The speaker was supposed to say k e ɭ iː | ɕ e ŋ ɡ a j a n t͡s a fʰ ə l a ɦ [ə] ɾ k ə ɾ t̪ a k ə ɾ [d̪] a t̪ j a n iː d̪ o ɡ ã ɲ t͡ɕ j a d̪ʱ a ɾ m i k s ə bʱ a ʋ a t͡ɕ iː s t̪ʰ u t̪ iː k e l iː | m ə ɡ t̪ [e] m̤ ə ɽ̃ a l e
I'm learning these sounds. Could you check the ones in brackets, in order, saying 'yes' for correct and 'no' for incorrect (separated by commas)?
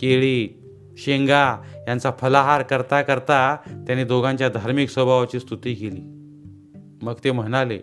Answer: no, no, yes